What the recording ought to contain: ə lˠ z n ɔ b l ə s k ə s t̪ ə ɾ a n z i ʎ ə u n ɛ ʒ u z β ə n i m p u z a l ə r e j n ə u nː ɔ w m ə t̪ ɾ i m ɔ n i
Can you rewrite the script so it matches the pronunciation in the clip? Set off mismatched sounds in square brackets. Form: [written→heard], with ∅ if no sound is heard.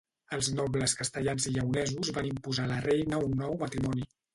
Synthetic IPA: ə lˠ z n ɔ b l ə s k ə s t̪ ə [ɾ→ʎ] a n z i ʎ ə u n ɛ [ʒ→z] u z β [ə→a] n i m p u z a l ə r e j n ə u nː ɔ w m ə t̪ ɾ i m ɔ n i

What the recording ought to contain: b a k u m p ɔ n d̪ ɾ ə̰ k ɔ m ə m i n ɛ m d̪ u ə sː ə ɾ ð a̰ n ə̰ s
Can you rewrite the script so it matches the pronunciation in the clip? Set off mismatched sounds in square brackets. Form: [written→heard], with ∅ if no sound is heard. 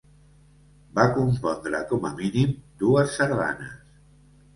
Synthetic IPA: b a k u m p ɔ n d̪ ɾ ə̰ k ɔ m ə m i n [ɛ→i] m d̪ u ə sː ə ɾ ð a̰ n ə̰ s

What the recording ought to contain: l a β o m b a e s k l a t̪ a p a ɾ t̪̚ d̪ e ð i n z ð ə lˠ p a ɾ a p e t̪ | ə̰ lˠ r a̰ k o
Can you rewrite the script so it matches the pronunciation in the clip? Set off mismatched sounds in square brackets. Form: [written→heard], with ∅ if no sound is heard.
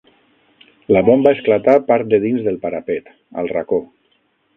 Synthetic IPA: l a β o m b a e s k l a t̪ a p a ɾ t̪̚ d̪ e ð i n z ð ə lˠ p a ɾ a p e t̪ | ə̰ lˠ r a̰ k o

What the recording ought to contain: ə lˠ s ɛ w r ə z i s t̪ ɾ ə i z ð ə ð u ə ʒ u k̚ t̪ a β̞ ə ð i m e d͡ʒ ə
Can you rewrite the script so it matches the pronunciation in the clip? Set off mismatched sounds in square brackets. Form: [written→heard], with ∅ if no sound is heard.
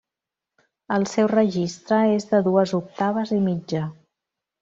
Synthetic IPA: ə lˠ s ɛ w r ə [z→ʒ] i s t̪ ɾ ə [i→e] z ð ə ð u ə [ʒ→z] u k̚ t̪ a β̞ ə [ð→z] i m [e→i] d͡ʒ ə

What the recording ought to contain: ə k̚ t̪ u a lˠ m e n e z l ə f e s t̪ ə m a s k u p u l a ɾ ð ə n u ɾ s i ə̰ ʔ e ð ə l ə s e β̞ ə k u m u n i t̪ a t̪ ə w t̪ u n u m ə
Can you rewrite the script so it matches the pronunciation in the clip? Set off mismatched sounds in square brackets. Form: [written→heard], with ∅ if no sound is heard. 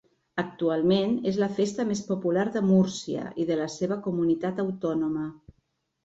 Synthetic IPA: ə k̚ t̪ u a lˠ m e n e z l ə f e s t̪ ə m [a→e] s [k→p] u p u l a ɾ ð ə [n→m] u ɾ s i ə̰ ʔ [e→i] ð ə l ə s e β̞ ə k u m u n i t̪ a t̪ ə w t̪ [u→ɔ] n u m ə

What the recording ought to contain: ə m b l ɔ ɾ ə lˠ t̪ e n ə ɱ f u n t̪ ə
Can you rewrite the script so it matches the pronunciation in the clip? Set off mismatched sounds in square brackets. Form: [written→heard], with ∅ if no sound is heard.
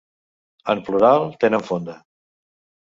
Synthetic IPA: ə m [b→p] l [ɔ→u] ɾ [ə→a] lˠ t̪ e n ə ɱ f [u→o] n [t̪→d̪] ə

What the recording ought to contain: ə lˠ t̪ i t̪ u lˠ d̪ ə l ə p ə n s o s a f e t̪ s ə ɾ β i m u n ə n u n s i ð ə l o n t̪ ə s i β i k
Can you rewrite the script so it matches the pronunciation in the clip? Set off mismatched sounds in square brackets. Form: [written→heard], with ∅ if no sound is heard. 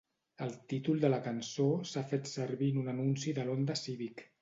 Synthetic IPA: ə lˠ t̪ i t̪ u lˠ d̪ ə l ə [p→k] ə n s o s a f e t̪ s ə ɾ β i [m→n] u n ə n u n s i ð ə l o n [t̪→d̪] ə s i β i k

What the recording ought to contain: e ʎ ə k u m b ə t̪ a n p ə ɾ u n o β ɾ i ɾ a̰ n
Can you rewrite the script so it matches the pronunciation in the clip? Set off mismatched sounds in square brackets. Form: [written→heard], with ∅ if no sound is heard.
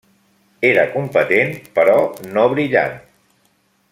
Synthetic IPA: e [ʎ→ɾ] ə k u m [b→p] ə t̪ [a→e] n p ə ɾ [u→ɔ] n o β ɾ i [ɾ→ʎ] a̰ n

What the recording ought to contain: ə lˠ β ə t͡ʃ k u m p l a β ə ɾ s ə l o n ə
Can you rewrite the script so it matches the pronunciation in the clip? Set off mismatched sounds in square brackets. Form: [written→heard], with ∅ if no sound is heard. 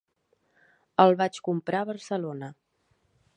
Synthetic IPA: ə lˠ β [ə→a] t͡ʃ k u m p [l→ɾ] a β ə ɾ s ə l o n ə

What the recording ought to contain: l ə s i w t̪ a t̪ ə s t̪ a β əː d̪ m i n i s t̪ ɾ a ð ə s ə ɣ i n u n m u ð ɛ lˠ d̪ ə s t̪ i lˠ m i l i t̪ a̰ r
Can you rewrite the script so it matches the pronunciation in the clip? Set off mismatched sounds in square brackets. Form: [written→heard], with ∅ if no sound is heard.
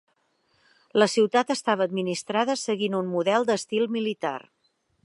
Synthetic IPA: l ə s i w t̪ a t̪ ə s t̪ a β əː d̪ m i n i s t̪ ɾ a ð ə s ə ɣ i n u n m u ð ɛ lˠ d̪ ə s t̪ i lˠ m i l i t̪ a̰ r

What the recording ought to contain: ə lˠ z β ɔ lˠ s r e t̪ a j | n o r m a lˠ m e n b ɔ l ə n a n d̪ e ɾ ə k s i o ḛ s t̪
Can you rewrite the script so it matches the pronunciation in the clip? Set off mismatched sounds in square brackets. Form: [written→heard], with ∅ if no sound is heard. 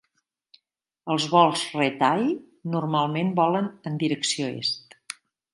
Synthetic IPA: ə lˠ z β ɔ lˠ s r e t̪ a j | n [o→u] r m a lˠ m e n b ɔ l ə n [a→ə] n d̪ [e→i] ɾ ə k s i o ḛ s t̪

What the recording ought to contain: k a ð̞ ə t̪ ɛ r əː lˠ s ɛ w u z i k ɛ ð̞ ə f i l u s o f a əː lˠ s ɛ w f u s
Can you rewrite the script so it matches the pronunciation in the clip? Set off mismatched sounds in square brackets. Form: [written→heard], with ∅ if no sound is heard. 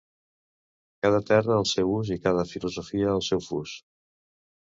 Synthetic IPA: k a ð̞ ə t̪ ɛ r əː lˠ s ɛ w u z i k [ɛ→a] ð̞ ə f i l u [s→z] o f [a→i] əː lˠ s ɛ w f u s

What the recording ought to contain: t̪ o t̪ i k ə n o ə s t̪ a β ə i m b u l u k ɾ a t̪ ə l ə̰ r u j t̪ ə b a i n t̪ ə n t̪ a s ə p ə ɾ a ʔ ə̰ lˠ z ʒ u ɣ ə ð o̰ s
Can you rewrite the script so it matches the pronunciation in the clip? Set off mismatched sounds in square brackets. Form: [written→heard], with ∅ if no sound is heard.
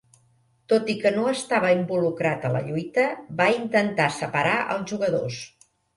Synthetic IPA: t̪ o t̪ i k ə n o ə s t̪ a β ə i m b u l u k ɾ a t̪ ə l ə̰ [r→ʎ] u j t̪ ə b a i n t̪ ə n t̪ a s ə p ə ɾ a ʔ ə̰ lˠ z ʒ u ɣ ə ð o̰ s

